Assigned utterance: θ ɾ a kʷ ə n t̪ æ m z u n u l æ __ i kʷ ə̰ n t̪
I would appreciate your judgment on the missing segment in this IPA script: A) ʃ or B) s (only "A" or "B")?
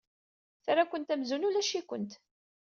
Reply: A